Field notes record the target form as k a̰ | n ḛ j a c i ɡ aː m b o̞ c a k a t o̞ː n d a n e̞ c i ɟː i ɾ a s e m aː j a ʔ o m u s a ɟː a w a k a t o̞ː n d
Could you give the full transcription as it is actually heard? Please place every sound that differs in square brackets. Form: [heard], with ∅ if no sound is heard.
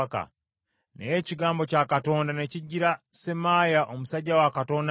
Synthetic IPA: k a̰ | n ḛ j [e] c i ɡ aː m b o̞ c a k a t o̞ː n d a n e̞ c i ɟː i ɾ a s e m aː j a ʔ o m u s a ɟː a w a k a t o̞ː n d

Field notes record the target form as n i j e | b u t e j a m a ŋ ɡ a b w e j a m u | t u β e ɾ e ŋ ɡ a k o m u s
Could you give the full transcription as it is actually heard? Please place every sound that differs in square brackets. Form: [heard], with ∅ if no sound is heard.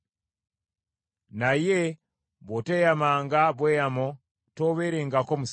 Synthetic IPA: n [a] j e | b [o] t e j a m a ŋ ɡ a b w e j a m [o] | t [o] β e ɾ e ŋ ɡ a k o m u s

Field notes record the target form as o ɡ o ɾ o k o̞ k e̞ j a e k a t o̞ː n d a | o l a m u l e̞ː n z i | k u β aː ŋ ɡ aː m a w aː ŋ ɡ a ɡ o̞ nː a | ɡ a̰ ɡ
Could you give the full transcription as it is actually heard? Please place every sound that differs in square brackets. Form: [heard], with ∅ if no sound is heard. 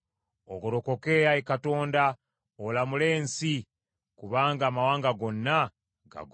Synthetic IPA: o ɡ o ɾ o k o̞ k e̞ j a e k a t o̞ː n d a | o l a m u l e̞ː n [s] i | k u β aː ŋ ɡ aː m a w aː ŋ ɡ a ɡ o̞ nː a | ɡ a̰ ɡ

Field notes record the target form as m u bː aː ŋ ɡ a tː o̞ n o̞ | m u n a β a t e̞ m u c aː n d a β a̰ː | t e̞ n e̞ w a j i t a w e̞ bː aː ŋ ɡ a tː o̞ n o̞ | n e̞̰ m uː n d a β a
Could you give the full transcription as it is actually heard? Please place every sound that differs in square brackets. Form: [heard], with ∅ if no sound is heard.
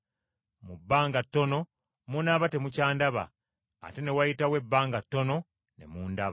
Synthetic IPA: m u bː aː ŋ ɡ a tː o̞ n o̞ | m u n a β a t e̞ m u c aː n d a β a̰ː | t e̞ n e̞ w a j i t a w e̞ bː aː ŋ ɡ a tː o̞ n o̞ | n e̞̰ m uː n d a β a

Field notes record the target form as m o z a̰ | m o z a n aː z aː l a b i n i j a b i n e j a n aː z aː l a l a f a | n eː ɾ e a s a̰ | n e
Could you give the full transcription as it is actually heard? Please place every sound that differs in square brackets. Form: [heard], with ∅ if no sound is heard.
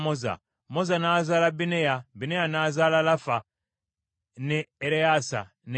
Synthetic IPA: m o z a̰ | m o z a n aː z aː l a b i n [e] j a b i n e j a n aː z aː l a l a f a | n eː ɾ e a s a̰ | n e

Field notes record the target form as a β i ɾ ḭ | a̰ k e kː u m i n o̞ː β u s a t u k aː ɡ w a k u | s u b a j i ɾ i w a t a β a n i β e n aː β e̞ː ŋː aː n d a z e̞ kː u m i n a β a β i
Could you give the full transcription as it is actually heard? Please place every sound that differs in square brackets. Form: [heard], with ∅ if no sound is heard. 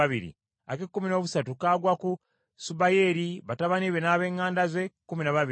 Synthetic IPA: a β i ɾ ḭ | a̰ k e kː u m i n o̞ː β u s a t u k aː ɡ w a k u | s u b a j [e] ɾ i [β] a t a β a n i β e n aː β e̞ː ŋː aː n d a z e̞ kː u m i n a β a β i

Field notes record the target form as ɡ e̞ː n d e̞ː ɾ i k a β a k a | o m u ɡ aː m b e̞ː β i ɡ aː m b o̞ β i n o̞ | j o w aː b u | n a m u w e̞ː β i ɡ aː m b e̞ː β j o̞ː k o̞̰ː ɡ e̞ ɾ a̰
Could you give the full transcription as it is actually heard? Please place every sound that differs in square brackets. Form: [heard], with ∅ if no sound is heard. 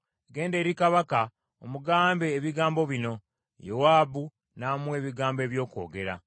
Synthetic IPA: ɡ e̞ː n d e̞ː ɾ i k a β a k a | o m u ɡ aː m b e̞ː β i ɡ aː m b o̞ β i n o̞ | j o w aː b u | n a m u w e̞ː β i ɡ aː m b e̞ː β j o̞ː k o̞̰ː ɡ e̞ ɾ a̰

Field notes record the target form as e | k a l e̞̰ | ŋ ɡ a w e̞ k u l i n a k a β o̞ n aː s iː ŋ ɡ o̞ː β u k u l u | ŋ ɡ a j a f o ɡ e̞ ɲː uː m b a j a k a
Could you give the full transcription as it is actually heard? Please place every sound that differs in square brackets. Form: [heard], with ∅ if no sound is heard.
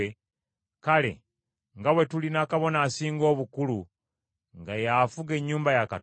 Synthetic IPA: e | k a l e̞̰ | ŋ ɡ a w e̞ [t] u l i n a k a β o̞ n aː s iː ŋ ɡ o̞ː β u k u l u | ŋ ɡ a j a f [u] ɡ e̞ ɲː uː m b a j a k a

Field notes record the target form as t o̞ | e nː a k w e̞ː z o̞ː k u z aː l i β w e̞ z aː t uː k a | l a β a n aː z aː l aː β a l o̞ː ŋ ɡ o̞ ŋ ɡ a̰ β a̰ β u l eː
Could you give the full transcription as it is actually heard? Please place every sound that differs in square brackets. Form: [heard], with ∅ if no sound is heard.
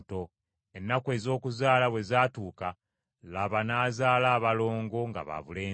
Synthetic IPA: t o̞ | e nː a k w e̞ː z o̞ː k u z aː l [a] β w e̞ z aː t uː k a | l a β a n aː z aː l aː β a l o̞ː ŋ ɡ o̞ ŋ ɡ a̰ β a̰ β u l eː

